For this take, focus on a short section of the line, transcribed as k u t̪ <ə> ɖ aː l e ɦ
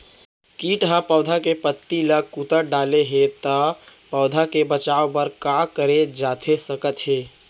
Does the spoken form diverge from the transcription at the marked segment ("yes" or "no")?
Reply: no